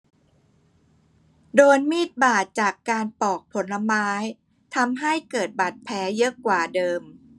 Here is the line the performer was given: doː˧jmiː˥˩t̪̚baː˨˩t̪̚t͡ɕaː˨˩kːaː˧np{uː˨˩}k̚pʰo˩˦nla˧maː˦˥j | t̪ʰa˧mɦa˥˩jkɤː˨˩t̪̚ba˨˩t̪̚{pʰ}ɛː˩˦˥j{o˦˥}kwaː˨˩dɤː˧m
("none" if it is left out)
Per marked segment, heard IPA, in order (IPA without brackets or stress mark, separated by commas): ɔː˨˩, pʰ, ɤ˦˥